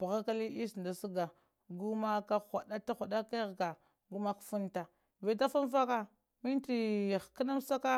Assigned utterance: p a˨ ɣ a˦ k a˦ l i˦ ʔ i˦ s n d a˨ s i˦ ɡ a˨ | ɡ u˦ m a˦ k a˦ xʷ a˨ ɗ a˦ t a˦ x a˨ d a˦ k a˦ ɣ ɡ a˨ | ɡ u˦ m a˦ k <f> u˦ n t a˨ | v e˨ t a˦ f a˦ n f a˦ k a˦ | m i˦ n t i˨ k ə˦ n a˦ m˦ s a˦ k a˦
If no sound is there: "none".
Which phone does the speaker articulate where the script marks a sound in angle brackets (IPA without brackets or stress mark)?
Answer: f